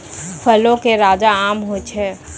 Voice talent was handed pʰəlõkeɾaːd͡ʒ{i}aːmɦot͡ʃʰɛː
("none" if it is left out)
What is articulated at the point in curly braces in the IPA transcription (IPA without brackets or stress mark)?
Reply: a